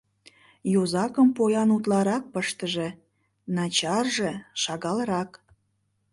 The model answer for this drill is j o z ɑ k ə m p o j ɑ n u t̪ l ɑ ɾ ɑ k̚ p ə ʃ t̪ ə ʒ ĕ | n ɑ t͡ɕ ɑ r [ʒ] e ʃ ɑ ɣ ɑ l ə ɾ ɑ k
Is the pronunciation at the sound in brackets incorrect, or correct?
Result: correct